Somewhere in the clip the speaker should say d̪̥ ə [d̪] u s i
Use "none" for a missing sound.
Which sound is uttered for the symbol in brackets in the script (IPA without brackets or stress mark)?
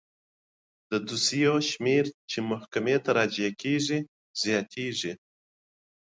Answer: d̪